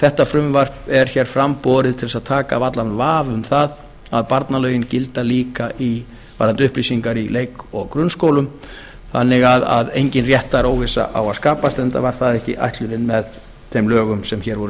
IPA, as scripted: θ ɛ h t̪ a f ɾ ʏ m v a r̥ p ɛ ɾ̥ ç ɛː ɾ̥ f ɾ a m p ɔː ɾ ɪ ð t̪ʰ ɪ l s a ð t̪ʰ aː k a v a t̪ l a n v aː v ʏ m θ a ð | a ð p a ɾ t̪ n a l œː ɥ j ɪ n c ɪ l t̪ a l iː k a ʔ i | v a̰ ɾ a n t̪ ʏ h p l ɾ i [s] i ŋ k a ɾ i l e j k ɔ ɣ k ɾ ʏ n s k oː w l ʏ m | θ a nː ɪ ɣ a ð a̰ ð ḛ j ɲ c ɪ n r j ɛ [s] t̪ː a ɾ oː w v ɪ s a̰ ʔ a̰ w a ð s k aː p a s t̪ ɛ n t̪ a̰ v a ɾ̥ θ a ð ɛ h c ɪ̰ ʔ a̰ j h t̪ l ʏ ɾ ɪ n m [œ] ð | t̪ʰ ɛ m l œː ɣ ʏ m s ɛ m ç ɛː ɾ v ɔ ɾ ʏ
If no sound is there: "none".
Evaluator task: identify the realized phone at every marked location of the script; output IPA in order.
s, h, ɛ

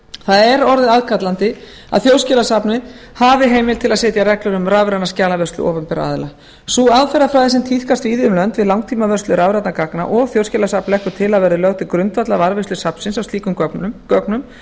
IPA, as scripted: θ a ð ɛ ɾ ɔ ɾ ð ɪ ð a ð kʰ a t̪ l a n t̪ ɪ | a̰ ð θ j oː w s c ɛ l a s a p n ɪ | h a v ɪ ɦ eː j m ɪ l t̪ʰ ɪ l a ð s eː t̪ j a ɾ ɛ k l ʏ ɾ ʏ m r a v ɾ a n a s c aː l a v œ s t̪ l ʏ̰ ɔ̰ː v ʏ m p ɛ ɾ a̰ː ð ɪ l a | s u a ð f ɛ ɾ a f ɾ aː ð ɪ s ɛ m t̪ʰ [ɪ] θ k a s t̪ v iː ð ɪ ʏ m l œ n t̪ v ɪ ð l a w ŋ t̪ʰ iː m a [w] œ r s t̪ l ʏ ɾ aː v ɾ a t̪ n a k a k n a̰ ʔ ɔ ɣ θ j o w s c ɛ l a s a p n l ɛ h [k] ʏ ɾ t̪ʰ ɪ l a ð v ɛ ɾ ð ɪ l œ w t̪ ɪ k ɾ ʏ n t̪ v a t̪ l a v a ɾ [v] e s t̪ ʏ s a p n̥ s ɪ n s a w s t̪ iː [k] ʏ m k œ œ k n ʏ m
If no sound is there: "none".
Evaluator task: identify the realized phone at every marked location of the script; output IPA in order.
i, v, k, v, k

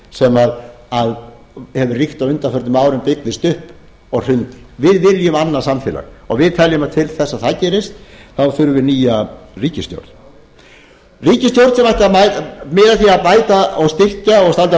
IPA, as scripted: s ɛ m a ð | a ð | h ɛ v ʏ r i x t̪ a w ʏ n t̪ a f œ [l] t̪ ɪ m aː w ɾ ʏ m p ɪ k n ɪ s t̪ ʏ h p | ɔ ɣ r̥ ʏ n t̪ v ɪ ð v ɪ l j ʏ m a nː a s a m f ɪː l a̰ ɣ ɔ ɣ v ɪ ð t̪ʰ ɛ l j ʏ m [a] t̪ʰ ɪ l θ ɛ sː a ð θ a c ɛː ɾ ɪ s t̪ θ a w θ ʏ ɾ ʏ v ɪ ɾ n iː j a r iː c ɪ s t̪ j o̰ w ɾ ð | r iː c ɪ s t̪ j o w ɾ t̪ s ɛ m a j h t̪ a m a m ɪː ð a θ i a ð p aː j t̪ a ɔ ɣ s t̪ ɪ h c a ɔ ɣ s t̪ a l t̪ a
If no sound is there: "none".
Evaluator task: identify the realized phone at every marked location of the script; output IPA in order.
ɾ, a

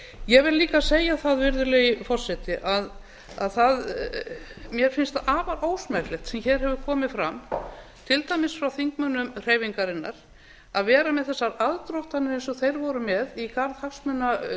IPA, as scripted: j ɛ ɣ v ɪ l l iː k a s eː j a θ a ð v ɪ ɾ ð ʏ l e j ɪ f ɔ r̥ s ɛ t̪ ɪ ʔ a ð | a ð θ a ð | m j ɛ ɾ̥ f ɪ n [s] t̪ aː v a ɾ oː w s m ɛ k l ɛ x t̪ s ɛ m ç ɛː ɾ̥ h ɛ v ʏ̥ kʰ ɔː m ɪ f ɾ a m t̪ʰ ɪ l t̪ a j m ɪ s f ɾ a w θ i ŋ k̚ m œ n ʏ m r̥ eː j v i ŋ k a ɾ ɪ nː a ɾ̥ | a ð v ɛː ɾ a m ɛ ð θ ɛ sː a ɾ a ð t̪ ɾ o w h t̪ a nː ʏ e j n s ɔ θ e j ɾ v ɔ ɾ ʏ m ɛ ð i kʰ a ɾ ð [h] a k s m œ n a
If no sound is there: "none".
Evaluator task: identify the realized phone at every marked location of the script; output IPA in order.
s, h

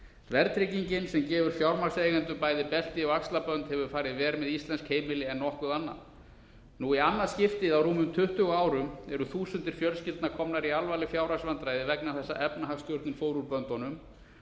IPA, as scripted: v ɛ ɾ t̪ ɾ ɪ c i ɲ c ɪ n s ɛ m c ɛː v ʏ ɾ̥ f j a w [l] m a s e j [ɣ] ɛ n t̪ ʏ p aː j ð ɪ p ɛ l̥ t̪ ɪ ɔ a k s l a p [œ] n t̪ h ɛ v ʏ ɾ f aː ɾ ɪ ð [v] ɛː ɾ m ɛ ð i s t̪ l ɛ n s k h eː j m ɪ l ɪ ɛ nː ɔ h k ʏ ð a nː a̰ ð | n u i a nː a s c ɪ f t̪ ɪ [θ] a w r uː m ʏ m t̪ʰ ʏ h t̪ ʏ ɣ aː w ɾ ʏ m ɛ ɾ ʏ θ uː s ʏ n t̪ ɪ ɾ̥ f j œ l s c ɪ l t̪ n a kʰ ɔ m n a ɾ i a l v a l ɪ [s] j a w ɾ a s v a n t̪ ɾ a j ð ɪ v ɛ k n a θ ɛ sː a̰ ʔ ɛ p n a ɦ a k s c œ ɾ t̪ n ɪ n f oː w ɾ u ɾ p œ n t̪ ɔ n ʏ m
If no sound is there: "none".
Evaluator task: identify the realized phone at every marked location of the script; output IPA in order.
ɾ, ɣ, œ, v, ð, f

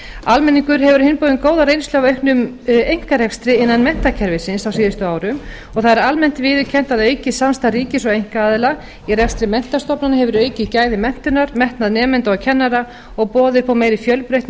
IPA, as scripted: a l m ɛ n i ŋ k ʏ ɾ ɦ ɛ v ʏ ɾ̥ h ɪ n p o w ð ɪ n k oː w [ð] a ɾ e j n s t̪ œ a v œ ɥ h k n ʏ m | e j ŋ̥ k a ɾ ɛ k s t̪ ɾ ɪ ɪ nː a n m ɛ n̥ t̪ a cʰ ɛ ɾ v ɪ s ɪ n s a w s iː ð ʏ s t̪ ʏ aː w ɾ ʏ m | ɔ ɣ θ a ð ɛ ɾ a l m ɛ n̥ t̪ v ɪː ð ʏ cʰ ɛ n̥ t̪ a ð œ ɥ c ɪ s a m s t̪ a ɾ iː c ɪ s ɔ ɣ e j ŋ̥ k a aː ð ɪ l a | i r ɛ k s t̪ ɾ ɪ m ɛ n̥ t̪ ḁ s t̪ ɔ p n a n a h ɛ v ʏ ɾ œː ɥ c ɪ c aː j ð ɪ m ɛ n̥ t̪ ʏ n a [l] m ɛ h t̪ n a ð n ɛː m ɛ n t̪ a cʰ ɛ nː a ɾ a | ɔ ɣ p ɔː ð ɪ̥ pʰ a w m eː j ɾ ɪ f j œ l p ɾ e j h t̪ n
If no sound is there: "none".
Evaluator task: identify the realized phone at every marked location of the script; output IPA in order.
ð, ɾ

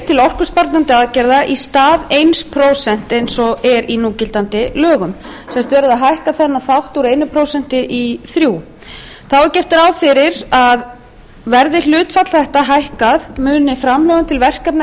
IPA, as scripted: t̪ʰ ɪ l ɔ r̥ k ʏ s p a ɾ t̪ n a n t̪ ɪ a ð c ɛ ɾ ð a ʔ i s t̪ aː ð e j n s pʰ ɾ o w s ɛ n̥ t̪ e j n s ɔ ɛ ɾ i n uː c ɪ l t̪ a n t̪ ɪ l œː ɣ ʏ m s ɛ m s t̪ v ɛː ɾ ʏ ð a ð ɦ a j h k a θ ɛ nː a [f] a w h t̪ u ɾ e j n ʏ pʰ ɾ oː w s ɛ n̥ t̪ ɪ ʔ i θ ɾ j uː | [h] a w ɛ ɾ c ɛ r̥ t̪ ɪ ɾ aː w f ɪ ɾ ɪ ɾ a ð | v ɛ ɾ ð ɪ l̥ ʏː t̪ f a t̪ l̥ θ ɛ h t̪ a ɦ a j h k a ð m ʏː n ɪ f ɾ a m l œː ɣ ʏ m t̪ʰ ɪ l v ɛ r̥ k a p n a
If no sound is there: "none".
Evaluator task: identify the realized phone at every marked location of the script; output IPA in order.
θ, θ

